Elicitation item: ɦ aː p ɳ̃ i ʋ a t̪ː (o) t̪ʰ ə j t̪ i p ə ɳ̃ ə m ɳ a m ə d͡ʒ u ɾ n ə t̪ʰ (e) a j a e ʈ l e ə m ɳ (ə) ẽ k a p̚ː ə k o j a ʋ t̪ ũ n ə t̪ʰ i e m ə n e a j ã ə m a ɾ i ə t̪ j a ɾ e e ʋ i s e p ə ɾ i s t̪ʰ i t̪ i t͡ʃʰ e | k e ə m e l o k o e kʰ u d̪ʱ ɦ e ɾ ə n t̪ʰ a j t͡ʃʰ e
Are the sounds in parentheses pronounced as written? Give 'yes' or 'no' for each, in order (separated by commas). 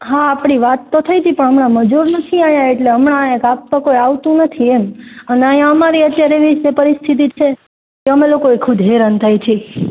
yes, no, no